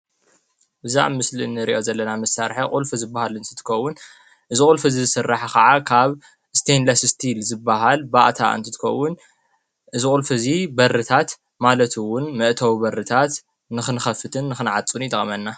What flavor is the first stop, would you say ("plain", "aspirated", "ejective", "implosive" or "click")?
plain